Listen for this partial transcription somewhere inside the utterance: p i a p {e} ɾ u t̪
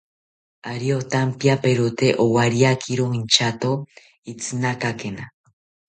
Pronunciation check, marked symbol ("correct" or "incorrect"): correct